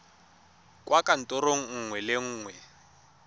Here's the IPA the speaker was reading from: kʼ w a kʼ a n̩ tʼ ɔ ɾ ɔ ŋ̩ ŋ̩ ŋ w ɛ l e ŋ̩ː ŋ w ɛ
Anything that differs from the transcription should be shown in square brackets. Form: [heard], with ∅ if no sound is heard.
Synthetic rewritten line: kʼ w a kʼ a n̩ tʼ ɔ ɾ [o] ŋ̩ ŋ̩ ŋ w ɛ l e ŋ̩ː ŋ w ɛ